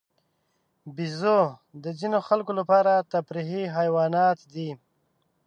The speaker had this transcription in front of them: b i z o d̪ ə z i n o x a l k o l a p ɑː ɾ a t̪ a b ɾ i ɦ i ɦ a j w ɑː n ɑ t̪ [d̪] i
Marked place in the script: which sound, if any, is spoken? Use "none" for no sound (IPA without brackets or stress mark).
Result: d̪